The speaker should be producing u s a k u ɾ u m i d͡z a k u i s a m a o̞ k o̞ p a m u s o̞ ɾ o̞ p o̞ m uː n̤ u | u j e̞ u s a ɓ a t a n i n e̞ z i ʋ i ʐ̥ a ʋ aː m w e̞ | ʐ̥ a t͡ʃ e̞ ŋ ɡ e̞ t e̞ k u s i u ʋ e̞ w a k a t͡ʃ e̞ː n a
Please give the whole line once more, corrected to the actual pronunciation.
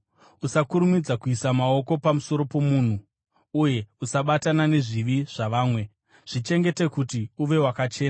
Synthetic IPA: u s a k u ɾ u m i d͡z a k u i s a m a o̞ k o̞ p a m u s o̞ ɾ o̞ p o̞ m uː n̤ u | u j e̞ u s a ɓ a t a n a n e̞ ʐ i ʋ i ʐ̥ a ʋ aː m w e̞ | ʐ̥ i t͡ʃ e̞ ŋ ɡ e̞ t e̞ k u t i u ʋ e̞ w a k a t͡ʃ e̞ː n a

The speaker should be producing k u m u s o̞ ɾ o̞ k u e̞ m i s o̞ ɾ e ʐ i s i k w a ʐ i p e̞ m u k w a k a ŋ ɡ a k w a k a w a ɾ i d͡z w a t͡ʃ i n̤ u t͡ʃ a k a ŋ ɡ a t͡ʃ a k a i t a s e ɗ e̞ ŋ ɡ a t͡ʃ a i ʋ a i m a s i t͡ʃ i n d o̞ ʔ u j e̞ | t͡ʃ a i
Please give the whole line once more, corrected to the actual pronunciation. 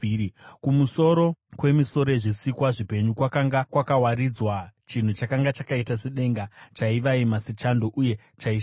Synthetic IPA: k u m u s o̞ ɾ o̞ k w e̞ m i s o̞ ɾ e ʐ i s i k w a ʐ i p e̞ ɲ u k w a k a ŋ ɡ a k w a k a w a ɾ i d͡z w a t͡ʃ i n̤ u t͡ʃ a k a ŋ ɡ a t͡ʃ a k a i t a s e ɗ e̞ ŋ ɡ a t͡ʃ a i ʋ a i m a s i t͡ʃ a n d o̞ ʔ u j e̞ | t͡ʃ a i

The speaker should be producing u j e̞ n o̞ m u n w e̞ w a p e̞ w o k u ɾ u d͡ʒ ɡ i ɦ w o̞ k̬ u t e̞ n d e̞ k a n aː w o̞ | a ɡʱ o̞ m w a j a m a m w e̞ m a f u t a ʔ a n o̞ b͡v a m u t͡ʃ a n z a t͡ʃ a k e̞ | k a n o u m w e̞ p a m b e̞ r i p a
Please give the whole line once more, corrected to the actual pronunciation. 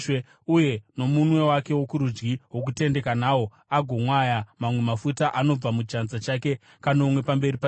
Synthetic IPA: u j e̞ n o̞ m u n w e̞ w a k e̞ w o k u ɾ u d͡ʒ ɡ i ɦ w o̞ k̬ u t e̞ n d e̞ k a n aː w o̞ | a ɡʱ o̞ m w a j a m a m w e̞ m a f u t a ʔ a n o̞ b͡v a m u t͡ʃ a n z a t͡ʃ a k e̞ | k a n o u m w e̞ p a m b e̞ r i p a

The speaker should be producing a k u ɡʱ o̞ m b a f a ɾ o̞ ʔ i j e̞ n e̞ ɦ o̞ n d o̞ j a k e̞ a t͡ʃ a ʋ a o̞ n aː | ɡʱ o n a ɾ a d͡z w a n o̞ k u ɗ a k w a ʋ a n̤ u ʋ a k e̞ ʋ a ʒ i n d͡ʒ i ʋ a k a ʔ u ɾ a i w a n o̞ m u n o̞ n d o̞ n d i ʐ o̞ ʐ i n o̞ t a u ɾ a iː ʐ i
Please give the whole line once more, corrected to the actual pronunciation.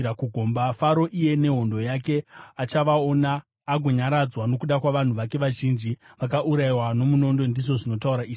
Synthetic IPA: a k u ɡʱ o̞ m b a f a ɾ o̞ ʔ i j e̞ n e̞ ɦ o̞ n d o̞ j a k e̞ a t͡ʃ a ʋ a o̞ n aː | ɡʱ o ɲ a ɾ a d͡z w a n o̞ k u ɗ a k w a ʋ a n̤ u ʋ a k e̞ ʋ a ʒ i n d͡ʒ i ʋ a k a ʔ u ɾ a i w a n o̞ m u n o̞ n d o̞ n d i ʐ o̞ ʐ i n o̞ t a u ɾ a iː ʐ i

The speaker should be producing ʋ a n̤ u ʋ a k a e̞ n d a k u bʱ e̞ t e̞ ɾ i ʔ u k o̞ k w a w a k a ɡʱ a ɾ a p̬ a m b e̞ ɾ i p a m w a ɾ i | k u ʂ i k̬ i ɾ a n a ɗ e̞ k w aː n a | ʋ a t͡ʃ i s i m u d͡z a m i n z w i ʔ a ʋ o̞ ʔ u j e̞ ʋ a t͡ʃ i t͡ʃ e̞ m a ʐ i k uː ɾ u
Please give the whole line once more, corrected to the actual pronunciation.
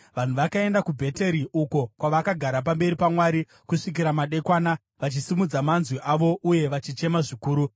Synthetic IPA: ʋ a n̤ u ʋ a k a e̞ n d a k u bʱ e̞ t e̞ ɾ i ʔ u k o̞ k w a ʋ a k a ɡʱ a ɾ a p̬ a m b e̞ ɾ i p a m w a ɾ i | k u ʂ i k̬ i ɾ a m a ɗ e̞ k w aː n a | ʋ a t͡ʃ i s i m u d͡z a m a n z w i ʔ a ʋ o̞ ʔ u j e̞ ʋ a t͡ʃ i t͡ʃ e̞ m a ʐ i k uː ɾ u

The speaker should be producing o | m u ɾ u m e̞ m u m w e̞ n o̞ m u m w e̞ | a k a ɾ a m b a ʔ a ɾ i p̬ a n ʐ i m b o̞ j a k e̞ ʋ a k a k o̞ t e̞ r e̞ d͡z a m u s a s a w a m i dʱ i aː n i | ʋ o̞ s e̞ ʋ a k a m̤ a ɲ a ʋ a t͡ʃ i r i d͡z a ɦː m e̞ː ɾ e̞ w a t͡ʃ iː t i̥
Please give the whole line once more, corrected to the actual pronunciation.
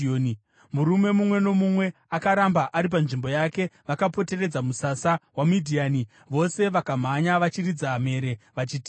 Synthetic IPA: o | m u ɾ u m e̞ m u m w e̞ n o̞ m u m w e̞ | a k a ɾ a m b a ʔ a ɾ i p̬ a n ʐ i m b o̞ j a k e̞ ʋ a k a p o̞ t e̞ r e̞ d͡z a m u s a s a w a m i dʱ i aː n i | ʋ o̞ s e̞ ʋ a k a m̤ a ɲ a ʋ a t͡ʃ i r i d͡z a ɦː m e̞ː ɾ e̞ ʋ a t͡ʃ iː t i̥

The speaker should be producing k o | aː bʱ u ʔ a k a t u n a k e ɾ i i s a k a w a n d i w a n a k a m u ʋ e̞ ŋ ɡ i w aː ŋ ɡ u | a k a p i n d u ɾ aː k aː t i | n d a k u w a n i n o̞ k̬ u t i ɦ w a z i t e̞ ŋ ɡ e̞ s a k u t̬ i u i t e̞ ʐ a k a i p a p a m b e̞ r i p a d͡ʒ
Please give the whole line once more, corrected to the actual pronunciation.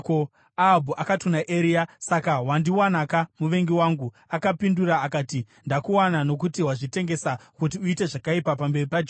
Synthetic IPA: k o | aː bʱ u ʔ a k a t u n a ʔ e ɾ i a s a k a w a n d i w a n a k a m u ʋ e̞ ŋ ɡ i w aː ŋ ɡ u | a k a p i n d u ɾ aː k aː t i | n d a k u w a n a n o̞ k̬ u t i ɦ w a ʐ i t e̞ ŋ ɡ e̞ s a k u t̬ i u i t e̞ ʐ a k a i p a p a m b e̞ r i p a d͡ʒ

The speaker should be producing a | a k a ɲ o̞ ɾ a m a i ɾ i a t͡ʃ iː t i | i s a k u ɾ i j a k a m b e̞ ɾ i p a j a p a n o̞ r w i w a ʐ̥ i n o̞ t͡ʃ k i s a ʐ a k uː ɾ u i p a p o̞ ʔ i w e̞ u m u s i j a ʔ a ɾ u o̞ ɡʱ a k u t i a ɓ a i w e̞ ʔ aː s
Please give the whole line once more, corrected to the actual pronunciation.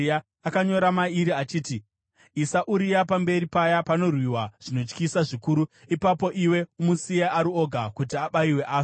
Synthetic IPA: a | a k a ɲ o̞ ɾ a m a i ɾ i a t͡ʃ iː t i | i s a ʔ u ɾ i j a p a m b e̞ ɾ i p a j a p a n o̞ r w i w a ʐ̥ i n o̞ t͡ʃ k i s a ʐ i k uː ɾ u i p a p o̞ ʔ i w e̞ u m u s i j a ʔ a ɾ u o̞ ɡʱ a k u t i a ɓ a i w e̞ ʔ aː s

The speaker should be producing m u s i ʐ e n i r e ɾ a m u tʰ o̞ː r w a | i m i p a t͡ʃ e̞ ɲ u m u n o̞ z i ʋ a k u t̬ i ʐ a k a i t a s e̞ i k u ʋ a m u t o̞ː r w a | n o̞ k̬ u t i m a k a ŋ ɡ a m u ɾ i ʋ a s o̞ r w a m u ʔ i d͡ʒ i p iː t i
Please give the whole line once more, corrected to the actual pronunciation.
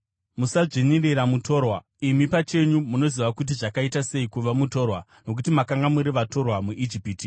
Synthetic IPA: m u s a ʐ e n i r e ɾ a m u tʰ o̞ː r w a | i m i p a t͡ʃ e̞ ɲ u m u n o̞ z i ʋ a k u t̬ i ʐ a k a i t a s e̞ i k u ʋ a m u t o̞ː r w a | n o̞ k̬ u t i m a k a ŋ ɡ a m u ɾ i ʋ a t o̞ r w a m u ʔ i d͡ʒ i p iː t i

